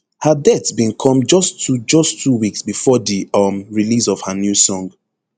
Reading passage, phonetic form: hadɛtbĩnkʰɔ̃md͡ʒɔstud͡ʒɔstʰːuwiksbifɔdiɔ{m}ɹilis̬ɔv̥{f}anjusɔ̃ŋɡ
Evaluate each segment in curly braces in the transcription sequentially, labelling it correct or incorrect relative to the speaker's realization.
correct, incorrect: h

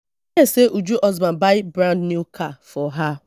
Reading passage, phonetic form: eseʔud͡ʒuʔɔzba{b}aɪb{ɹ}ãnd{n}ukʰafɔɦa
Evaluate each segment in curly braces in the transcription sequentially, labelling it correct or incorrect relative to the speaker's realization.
correct, incorrect: ɾ, correct

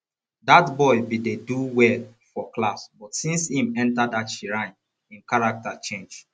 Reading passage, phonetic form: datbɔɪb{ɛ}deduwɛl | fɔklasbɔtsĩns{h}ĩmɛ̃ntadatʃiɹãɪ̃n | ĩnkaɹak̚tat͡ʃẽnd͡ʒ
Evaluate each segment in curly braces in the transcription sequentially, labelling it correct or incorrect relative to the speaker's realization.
incorrect: i, correct

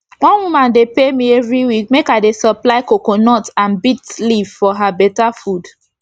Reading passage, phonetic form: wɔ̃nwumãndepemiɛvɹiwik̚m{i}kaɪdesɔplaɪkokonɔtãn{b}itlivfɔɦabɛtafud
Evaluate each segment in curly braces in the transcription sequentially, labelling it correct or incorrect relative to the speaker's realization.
incorrect: e, correct

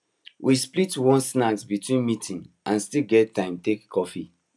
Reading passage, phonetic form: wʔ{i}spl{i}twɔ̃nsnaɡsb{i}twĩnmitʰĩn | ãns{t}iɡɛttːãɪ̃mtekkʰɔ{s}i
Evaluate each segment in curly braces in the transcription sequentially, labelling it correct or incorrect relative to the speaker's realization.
correct, correct, correct, correct, incorrect: f

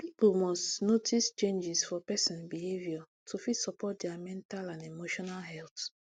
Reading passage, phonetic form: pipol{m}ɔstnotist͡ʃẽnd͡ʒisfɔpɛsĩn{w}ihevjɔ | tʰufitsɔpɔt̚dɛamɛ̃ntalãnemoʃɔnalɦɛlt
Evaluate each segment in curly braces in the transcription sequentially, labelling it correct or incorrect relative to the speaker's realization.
correct, incorrect: b

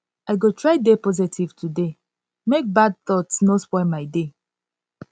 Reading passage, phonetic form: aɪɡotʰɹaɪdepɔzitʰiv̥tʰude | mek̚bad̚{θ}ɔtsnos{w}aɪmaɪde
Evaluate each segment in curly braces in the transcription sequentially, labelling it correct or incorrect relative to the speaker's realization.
correct, correct

